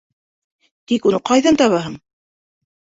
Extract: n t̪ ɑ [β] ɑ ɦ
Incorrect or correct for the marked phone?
correct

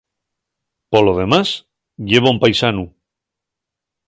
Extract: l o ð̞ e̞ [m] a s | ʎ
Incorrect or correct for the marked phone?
correct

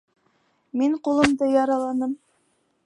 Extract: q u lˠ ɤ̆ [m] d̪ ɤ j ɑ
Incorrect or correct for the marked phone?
correct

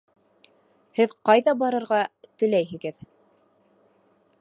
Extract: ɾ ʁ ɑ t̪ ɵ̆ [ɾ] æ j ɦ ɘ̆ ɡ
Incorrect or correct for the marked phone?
incorrect: l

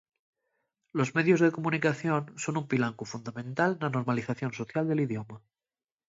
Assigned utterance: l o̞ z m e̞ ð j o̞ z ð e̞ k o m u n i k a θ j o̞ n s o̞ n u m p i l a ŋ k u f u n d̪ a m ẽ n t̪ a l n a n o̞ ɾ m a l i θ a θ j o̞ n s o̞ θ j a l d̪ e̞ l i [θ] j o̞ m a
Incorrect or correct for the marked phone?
incorrect: ð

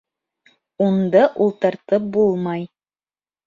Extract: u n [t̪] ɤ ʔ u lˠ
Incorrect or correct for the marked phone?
incorrect: d̪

